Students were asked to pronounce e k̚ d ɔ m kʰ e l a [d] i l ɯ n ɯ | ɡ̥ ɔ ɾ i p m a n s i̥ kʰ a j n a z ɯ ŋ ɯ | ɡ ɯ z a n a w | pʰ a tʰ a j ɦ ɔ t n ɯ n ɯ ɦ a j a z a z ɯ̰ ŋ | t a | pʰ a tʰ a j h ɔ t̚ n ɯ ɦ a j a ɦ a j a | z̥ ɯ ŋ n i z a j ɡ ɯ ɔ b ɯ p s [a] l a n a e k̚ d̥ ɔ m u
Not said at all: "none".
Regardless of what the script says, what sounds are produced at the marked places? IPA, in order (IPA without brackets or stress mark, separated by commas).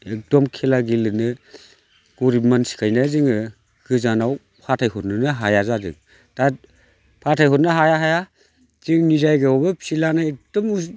ɡ, i